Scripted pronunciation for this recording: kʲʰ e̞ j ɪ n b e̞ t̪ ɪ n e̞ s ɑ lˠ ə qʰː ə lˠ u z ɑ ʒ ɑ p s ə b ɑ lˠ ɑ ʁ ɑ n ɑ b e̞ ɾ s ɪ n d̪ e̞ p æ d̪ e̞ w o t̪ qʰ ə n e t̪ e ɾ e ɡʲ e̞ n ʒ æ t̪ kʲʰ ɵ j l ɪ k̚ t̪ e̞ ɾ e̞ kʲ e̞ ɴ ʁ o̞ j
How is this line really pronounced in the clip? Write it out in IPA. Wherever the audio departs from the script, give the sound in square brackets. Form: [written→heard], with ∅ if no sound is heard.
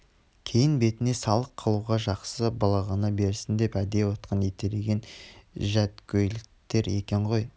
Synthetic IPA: kʲʰ e̞ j ɪ n b e̞ t̪ ɪ n e̞ s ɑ lˠ ə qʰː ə lˠ u [z→ʁ] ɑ ʒ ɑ [p→q] s ə b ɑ lˠ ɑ ʁ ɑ n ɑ b e̞ ɾ s ɪ n d̪ e̞ p æ d̪ e̞ w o t̪ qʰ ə n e t̪ e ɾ e ɡʲ e̞ n ʒ æ t̪ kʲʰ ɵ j l ɪ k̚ t̪ e̞ ɾ e̞ kʲ e̞ ɴ ʁ o̞ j